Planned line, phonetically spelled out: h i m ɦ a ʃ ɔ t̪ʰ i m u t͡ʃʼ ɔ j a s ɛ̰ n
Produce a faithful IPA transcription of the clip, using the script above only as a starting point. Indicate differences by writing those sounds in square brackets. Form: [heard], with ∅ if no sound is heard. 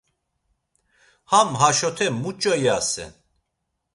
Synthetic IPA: h [a] m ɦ a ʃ ɔ t̪ʰ [ɛ] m u t͡ʃʼ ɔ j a s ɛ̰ n

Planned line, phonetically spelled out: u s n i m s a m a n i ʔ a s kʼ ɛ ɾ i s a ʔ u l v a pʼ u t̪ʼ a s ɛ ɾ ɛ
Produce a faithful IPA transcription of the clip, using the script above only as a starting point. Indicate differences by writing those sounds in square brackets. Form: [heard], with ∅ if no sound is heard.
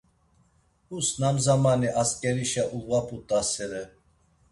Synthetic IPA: u s n [a] m [z] a m a n i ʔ a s kʼ ɛ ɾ i [ʃ] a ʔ u l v a pʼ u t̪ʼ a s ɛ ɾ ɛ

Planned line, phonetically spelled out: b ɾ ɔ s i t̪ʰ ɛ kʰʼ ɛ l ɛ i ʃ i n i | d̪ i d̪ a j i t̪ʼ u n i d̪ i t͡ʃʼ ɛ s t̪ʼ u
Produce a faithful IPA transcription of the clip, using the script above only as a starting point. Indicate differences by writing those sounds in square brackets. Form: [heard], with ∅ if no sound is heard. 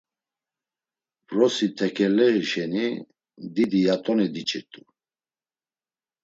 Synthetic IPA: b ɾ ɔ s i t̪ʰ ɛ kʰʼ ɛ l ɛ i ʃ [ɛ] n i | d̪ i d̪ [i] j [a] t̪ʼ [ɔ] n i d̪ i t͡ʃʼ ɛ [∅] t̪ʼ u

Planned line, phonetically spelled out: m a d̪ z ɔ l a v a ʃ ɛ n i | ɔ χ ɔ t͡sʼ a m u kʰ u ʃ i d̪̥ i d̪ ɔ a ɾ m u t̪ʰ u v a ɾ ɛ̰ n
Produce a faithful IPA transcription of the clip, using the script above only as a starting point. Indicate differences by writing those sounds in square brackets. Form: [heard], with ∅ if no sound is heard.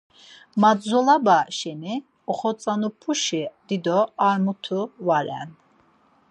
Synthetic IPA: m a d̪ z ɔ l a [b] a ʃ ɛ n i | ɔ χ ɔ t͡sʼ a [n] u [pʰ] u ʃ i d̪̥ i d̪ ɔ a ɾ m u t̪ʰ u v a ɾ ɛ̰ n

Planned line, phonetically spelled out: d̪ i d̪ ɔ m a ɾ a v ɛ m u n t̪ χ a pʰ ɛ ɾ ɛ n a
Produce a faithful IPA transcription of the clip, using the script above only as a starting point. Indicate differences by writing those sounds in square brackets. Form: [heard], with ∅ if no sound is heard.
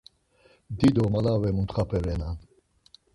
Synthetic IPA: d̪ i d̪ ɔ m a [l] a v ɛ m u n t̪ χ a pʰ ɛ ɾ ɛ n a

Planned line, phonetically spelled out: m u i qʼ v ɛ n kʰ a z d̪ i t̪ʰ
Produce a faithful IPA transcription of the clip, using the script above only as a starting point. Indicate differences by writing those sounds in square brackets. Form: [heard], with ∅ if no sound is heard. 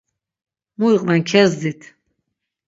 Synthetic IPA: m u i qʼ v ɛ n kʰ [ɛ] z d̪ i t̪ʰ

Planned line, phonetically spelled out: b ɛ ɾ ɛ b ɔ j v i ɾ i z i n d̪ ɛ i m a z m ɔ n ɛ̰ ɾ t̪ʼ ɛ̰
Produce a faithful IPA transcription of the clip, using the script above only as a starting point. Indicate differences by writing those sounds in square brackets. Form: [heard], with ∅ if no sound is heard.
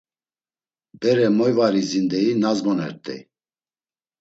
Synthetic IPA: b ɛ ɾ ɛ [m] ɔ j v [a] ɾ i z i n d̪ ɛ i [n] a z m ɔ n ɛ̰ ɾ t̪ʼ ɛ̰

